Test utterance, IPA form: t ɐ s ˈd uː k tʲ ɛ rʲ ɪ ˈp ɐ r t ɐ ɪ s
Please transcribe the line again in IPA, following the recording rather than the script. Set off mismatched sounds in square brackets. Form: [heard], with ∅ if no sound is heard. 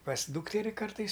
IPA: [p] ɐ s ˈd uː k tʲ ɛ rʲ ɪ [ˈk] ɐ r t ɐ ɪ s